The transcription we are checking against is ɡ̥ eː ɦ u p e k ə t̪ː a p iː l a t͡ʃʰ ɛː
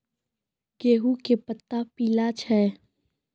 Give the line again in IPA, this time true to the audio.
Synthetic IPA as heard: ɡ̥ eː ɦ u k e p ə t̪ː a p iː l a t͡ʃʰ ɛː

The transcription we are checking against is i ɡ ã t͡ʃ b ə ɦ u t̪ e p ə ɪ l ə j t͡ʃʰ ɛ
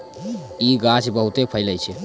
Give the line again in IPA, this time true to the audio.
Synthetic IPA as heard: i ɡ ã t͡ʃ b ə ɦ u t̪ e pʰ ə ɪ l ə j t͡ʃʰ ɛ

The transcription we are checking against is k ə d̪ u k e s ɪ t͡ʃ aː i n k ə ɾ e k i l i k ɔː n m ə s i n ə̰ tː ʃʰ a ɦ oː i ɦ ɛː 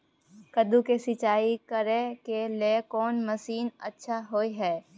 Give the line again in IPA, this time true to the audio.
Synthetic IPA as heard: k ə d̪ u k e s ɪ t͡ʃ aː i k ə ɾ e k e l e k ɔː n m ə s iː n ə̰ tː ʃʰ a ɦ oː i ɦ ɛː

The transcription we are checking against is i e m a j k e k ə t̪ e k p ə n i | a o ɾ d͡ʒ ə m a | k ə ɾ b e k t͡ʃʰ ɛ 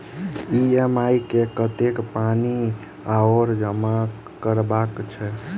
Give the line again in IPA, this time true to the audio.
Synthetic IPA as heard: i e m a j k e k ə t̪ e k p a n i | a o ɾ d͡ʒ ə m a | k ə ɾ b a k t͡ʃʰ ɛ

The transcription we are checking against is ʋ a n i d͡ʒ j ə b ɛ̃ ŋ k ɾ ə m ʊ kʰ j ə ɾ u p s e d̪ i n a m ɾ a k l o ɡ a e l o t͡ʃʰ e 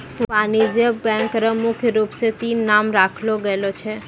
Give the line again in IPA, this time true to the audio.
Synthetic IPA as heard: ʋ a n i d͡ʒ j ə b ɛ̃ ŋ k ɾ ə m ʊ kʰ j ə ɾ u p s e t̪ i n a m ɾ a kʰ l o ɡ ə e l o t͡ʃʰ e

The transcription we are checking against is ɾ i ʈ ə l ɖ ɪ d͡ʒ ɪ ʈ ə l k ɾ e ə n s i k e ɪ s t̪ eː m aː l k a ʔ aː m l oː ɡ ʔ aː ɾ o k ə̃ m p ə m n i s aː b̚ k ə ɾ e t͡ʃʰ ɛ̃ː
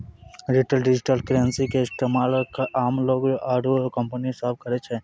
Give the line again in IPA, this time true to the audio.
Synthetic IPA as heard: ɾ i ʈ ə l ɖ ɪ d͡ʒ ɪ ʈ ə l k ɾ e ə n s i k e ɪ s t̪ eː m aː l k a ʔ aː m l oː ɡ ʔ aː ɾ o k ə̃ m p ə n i s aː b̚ k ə ɾ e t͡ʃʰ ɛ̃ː

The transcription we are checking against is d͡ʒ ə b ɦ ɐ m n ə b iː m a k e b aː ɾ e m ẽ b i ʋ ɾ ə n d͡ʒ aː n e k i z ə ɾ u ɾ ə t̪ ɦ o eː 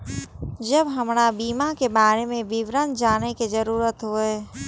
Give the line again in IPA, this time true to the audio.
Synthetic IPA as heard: d͡ʒ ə b ɦ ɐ m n a b iː m a k e b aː ɾ e m ẽ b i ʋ ɾ ə n d͡ʒ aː n e k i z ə ɾ uː ɾ ə t̪ ɦ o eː

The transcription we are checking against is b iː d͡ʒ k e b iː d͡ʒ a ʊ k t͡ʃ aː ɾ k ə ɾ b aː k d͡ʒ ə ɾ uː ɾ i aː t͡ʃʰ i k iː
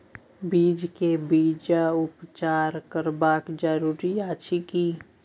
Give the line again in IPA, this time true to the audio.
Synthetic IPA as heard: b iː d͡ʒ k e b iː d͡ʒ a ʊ p t͡ʃ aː ɾ k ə ɾ b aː k d͡ʒ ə ɾ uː ɾ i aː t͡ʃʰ i k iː

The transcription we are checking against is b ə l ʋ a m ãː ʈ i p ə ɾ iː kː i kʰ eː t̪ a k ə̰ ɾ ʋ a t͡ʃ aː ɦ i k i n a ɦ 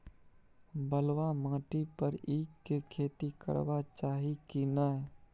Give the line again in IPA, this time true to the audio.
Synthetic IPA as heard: b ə l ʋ a m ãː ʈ i p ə ɾ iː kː e kʰ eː t̪ i k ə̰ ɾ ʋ a t͡ʃ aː ɦ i k i n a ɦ

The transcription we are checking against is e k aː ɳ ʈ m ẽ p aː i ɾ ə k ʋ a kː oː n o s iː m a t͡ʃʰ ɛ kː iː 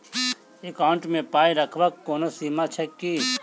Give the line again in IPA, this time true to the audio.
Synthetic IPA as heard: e k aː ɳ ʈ m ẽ p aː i ɾ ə kʰ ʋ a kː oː n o s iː m a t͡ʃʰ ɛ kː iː

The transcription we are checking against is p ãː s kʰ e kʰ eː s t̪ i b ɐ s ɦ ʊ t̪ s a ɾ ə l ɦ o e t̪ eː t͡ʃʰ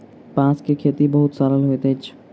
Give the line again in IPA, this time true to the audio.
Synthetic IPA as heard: p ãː s k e kʰ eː t̪ i b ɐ ɦ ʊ t̪ s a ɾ ə l ɦ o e t̪ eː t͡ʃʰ

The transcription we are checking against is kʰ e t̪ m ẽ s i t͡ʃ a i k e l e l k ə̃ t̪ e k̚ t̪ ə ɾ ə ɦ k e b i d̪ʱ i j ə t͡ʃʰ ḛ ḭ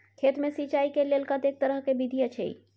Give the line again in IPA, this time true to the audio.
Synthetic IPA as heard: kʰ e t̪ m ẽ s i t͡ʃ a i k e l e l k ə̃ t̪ e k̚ t̪ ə ɾ ə ɦ k e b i d̪ʱ i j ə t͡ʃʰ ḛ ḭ

